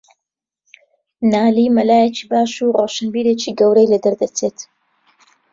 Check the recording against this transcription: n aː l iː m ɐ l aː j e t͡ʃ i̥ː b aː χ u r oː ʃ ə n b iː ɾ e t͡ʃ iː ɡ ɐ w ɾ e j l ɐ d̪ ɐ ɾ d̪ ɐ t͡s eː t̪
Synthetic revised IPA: n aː l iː m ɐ l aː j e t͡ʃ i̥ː b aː ʃ u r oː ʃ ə n b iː ɾ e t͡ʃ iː ɡ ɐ w ɾ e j l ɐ d̪ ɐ ɾ d̪ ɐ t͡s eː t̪